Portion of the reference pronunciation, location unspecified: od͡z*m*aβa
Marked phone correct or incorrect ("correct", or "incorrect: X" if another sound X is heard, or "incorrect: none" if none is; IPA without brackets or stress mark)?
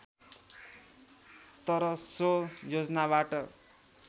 incorrect: n